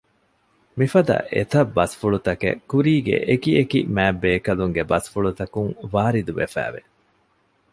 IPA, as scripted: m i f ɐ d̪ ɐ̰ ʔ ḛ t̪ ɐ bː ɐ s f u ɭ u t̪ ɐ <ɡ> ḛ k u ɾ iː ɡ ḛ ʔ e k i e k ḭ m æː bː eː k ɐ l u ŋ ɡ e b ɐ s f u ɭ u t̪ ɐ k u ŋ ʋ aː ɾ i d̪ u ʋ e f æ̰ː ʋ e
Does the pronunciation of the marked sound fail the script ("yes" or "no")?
yes